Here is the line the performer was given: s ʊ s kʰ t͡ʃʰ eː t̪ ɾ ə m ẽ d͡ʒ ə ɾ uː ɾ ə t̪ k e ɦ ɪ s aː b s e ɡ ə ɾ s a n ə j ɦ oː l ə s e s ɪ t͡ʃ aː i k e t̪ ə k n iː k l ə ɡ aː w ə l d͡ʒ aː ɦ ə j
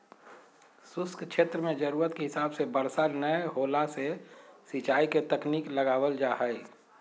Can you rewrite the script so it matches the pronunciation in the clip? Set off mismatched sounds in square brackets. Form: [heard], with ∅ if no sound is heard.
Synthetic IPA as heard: s ʊ s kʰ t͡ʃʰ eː t̪ ɾ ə m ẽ d͡ʒ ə ɾ uː ɾ ə t̪ k e ɦ ɪ s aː b s e [b] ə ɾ s a n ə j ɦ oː l [a] s e s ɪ t͡ʃ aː i k e t̪ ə k n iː k l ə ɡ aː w ə l d͡ʒ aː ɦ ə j